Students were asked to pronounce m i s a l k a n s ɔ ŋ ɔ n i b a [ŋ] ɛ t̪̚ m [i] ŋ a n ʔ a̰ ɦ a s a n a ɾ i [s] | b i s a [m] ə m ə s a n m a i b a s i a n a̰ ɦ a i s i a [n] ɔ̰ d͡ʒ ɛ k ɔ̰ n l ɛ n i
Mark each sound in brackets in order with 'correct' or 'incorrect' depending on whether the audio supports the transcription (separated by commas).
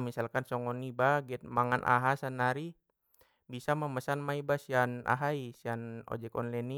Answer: incorrect, incorrect, incorrect, correct, correct